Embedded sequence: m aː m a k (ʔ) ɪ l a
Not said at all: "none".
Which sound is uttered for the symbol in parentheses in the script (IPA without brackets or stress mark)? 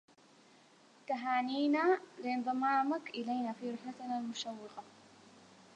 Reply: ʔ